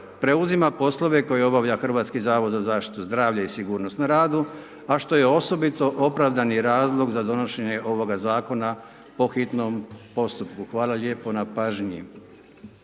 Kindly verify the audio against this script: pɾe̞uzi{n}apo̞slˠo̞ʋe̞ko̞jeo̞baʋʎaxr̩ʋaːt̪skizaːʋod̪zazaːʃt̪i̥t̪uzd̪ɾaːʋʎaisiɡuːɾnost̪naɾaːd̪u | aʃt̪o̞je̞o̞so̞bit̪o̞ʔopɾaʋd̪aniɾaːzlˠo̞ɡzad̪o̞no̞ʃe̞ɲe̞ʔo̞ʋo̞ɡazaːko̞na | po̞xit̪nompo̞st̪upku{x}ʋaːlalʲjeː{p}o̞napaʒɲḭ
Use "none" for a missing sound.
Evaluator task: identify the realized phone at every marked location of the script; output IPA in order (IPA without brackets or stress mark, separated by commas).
m, x, p